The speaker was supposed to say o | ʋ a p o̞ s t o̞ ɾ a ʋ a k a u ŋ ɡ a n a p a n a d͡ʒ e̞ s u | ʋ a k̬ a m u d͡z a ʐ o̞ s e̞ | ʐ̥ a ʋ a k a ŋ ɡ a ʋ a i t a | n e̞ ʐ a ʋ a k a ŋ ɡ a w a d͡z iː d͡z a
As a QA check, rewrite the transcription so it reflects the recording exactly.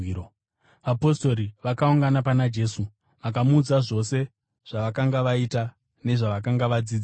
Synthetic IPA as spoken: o | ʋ a p o̞ s t o̞ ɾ i ʋ a k a u ŋ ɡ a n a p a n a d͡ʒ e̞ s u | ʋ a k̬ a m u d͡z a ʐ o̞ s e̞ | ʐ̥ a ʋ a k a ŋ ɡ a ʋ a i t a | n e̞ ʐ a ʋ a k a ŋ ɡ a ʋ a d͡z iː d͡z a